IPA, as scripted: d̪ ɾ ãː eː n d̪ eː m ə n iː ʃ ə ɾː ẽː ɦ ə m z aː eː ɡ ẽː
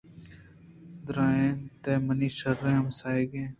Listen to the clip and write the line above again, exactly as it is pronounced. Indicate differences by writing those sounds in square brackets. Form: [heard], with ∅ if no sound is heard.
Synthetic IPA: d̪ ɾ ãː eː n [t̪] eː m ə n iː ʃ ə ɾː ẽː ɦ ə m [s] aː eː ɡ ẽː